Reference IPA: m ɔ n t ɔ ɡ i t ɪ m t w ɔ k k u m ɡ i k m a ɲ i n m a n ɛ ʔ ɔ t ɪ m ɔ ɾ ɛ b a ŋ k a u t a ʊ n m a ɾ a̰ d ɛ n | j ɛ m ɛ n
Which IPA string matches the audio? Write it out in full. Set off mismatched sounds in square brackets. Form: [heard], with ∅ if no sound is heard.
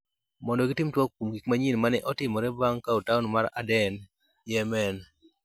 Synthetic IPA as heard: m ɔ n [d] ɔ ɡ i t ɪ m t w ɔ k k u m ɡ i k m a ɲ i n m a n ɛ ʔ ɔ t ɪ m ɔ ɾ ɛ b a ŋ k a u t a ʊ n m a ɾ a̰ d ɛ n | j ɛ m ɛ n